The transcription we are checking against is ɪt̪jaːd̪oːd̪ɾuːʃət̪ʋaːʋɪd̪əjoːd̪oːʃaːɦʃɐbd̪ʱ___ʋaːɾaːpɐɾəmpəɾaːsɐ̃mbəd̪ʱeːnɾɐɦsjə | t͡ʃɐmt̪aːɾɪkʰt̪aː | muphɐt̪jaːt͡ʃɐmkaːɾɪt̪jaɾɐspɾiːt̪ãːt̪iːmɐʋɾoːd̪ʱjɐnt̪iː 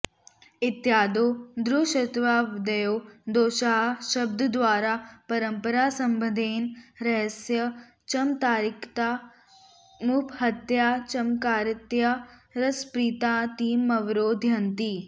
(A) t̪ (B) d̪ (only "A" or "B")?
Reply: B